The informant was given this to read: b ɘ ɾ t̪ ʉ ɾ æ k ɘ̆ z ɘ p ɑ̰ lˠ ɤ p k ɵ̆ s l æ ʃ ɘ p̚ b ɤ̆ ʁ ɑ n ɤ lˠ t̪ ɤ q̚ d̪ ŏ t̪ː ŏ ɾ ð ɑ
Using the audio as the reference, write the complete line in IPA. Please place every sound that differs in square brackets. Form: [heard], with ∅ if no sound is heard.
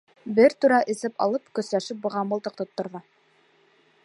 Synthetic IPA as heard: b ɘ ɾ t̪ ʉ ɾ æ [ʔ] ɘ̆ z ɘ p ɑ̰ lˠ ɤ p k ɵ̆ s l æ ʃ ɘ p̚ b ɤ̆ ʁ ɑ [m] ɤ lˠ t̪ ɤ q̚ [t̪] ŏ t̪ː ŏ ɾ ð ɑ